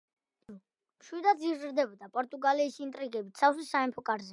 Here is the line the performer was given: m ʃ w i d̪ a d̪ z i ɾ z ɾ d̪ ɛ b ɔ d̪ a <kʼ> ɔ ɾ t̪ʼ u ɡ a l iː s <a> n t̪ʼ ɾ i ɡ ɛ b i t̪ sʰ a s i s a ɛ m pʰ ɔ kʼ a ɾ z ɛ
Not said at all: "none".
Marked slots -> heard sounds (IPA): pʼ, i

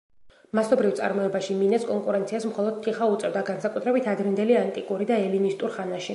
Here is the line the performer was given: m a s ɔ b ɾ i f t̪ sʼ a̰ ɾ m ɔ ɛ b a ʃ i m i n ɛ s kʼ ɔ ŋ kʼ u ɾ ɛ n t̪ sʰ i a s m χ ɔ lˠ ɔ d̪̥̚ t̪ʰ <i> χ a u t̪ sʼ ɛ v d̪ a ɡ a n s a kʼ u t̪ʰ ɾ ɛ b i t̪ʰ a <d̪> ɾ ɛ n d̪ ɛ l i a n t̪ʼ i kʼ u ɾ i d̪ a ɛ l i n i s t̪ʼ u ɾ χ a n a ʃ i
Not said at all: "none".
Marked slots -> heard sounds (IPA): i, d̪

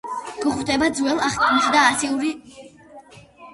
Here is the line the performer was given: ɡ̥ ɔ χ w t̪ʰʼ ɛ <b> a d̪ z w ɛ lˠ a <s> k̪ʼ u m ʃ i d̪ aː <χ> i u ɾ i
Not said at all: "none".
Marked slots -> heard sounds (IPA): b, χ, s

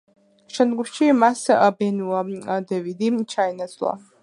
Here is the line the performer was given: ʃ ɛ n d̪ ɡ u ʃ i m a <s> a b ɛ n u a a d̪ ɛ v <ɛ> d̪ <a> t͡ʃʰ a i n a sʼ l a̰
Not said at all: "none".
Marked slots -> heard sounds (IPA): s, i, i

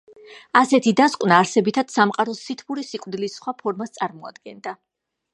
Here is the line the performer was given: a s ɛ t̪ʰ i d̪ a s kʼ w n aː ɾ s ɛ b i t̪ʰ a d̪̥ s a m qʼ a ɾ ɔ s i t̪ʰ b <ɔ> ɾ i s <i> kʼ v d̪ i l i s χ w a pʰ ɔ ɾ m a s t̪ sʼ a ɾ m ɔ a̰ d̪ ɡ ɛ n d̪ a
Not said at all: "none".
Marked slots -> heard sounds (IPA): u, i

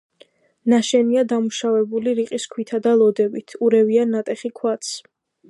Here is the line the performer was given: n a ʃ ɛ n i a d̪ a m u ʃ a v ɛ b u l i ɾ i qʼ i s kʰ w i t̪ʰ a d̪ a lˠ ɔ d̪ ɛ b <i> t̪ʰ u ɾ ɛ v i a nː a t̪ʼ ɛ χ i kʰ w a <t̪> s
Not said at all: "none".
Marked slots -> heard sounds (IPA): i, t̪

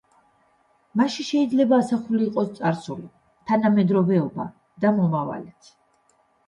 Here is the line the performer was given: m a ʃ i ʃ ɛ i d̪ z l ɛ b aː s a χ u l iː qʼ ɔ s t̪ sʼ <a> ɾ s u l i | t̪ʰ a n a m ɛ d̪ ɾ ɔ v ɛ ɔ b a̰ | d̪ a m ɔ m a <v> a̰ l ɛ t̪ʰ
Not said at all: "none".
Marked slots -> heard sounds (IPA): a, v

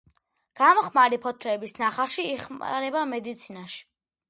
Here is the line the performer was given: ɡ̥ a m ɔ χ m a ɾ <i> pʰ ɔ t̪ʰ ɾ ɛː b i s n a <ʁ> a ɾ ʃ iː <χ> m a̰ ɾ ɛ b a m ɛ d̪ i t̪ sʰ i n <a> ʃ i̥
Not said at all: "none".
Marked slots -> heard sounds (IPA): i, χ, χ, a

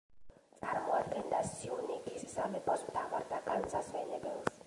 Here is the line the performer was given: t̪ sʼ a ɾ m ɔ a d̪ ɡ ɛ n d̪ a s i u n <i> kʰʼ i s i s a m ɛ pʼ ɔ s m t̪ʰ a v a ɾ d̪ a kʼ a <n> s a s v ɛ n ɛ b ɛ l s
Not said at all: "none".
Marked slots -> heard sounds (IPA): i, n

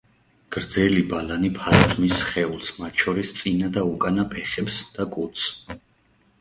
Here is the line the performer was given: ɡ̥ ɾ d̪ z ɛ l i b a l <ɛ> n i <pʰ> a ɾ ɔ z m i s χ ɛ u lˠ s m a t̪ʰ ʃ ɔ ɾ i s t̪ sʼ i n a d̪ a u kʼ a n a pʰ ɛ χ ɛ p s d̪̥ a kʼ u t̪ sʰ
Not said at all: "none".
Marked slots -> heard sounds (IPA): a, pʰ

